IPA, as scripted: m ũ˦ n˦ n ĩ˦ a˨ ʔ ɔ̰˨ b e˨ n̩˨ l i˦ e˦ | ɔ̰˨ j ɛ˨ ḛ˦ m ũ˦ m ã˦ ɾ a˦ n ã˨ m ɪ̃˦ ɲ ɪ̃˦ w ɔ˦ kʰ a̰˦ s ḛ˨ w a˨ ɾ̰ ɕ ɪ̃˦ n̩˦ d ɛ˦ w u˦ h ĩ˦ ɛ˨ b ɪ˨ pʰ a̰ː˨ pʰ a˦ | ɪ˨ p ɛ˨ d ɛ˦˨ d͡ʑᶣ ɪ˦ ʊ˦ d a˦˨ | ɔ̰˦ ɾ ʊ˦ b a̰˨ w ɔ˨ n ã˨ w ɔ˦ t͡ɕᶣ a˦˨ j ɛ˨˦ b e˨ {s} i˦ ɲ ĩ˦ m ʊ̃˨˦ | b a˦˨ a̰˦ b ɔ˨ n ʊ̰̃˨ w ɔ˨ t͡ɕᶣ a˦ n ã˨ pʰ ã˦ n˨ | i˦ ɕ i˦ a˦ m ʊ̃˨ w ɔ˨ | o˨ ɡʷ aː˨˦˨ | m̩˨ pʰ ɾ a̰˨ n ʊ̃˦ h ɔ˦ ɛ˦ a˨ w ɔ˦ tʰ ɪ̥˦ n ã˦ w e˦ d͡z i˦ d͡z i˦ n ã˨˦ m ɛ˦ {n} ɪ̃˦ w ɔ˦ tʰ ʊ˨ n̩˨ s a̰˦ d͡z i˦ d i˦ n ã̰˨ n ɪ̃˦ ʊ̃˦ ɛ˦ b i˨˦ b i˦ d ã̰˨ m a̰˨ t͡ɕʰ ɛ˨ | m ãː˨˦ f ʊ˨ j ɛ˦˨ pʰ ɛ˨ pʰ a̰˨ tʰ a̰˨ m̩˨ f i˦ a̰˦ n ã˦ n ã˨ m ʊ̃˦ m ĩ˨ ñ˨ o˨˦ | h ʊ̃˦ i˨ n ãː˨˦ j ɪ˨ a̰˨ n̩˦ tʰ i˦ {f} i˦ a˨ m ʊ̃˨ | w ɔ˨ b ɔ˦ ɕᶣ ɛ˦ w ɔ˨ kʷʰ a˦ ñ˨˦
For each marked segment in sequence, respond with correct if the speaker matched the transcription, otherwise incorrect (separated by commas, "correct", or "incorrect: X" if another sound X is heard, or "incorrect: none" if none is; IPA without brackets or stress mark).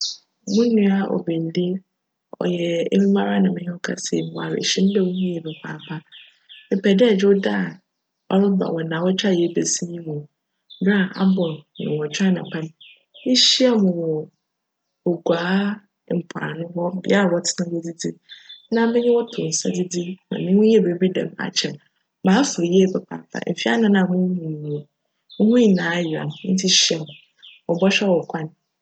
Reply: correct, incorrect: ɲ, incorrect: ɕ